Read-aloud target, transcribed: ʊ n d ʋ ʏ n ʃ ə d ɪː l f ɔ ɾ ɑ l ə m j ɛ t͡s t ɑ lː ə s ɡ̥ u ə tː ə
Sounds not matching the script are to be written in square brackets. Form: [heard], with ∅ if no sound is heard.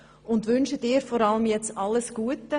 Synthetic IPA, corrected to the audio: ʊ n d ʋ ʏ n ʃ ə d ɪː [ɾ] f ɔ ɾ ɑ l ə m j ɛ t͡s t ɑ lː ə s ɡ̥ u ə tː ə

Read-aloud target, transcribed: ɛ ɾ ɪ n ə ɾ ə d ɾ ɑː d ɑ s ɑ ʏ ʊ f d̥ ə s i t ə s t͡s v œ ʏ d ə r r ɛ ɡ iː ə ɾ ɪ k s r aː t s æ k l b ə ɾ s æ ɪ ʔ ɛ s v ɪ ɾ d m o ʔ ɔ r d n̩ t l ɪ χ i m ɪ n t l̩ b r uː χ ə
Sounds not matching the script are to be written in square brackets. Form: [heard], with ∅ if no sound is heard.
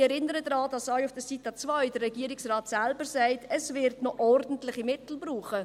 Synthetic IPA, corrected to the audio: ɛ ɾ ɪ n ə ɾ ə d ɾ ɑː d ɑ s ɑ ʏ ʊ f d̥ ə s i t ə [∅] t͡s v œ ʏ d ə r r ɛ ɡ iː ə ɾ ɪ k s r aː t s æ [∅] l b ə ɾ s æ ɪ [t] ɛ s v ɪ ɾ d [n] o ʔ ɔ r d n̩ t l ɪ χ i m ɪ [∅] t l̩ b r uː χ ə

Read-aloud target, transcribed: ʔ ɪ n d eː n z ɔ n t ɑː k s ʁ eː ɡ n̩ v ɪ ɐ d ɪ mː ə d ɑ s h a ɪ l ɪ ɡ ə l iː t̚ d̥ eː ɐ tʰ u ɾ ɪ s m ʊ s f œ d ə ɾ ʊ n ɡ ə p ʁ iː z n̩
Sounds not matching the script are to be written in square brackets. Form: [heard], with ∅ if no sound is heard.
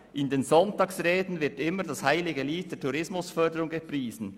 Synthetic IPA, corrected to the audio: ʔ ɪ n d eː n z ɔ n t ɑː k s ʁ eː [d] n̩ v ɪ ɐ [t] ɪ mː ə d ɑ s h a ɪ l ɪ ɡ ə l iː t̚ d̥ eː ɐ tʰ u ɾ ɪ s m ʊ s f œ d ə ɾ ʊ [ŋ] ɡ ə p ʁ iː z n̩

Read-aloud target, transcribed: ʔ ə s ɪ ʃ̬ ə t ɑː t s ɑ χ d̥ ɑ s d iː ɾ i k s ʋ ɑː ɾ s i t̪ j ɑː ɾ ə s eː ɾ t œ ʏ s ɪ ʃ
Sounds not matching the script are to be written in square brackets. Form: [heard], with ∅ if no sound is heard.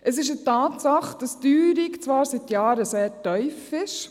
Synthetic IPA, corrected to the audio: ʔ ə s ɪ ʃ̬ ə t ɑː t s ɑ χ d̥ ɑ s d [yː] ɾ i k [t͡s] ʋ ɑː ɾ s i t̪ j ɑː ɾ ə s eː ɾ t œ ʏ [f] ɪ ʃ

